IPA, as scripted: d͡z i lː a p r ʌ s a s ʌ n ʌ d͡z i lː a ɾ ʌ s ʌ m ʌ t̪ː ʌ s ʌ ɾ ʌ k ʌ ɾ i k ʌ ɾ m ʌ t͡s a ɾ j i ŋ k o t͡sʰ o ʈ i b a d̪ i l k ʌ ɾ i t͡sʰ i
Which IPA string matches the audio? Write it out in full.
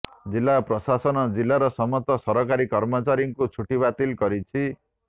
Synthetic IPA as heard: d͡z i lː a p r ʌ s a s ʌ n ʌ d͡z i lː a ɾ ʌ s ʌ m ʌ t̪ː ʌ s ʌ ɾ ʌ k a ɾ i k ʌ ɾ m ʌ t͡s a ɾ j i ŋ k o t͡sʰ u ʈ i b a t̪ i l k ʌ ɾ i t͡sʰ i